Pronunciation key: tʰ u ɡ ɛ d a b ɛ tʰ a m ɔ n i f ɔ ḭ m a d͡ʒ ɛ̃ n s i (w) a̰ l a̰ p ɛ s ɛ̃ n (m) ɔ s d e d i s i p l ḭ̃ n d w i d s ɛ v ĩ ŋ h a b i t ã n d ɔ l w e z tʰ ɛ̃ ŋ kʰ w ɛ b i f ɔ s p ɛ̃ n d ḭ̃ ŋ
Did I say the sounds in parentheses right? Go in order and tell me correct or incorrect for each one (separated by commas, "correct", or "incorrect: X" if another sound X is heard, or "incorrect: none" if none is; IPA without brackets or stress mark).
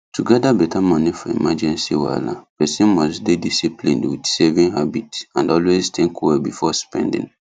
correct, correct